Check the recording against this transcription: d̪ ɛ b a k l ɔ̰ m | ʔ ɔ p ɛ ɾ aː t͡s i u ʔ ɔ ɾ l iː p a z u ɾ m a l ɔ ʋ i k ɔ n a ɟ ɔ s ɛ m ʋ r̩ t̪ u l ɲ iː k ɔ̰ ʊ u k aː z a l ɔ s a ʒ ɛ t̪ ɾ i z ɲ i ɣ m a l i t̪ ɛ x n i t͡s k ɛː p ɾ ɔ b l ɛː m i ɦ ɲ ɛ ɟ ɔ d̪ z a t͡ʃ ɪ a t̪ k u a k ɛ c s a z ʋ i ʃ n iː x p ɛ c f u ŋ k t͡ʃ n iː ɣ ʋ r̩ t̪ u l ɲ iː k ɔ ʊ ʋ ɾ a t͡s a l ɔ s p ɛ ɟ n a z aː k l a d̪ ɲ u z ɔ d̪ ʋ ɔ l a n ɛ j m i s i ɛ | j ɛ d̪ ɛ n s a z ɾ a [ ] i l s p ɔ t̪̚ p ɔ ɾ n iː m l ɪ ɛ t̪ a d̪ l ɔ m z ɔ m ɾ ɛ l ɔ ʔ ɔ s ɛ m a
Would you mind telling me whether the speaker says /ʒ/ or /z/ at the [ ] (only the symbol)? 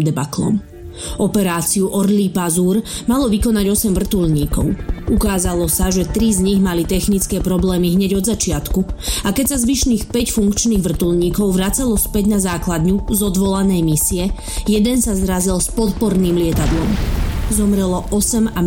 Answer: z